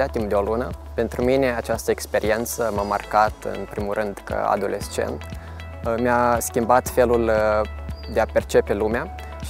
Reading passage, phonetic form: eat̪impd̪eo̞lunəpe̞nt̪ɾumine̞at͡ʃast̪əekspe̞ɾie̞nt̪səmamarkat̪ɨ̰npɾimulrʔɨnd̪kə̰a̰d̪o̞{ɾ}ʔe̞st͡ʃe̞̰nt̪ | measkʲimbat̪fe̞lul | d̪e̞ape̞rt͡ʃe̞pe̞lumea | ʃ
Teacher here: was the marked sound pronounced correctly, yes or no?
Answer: no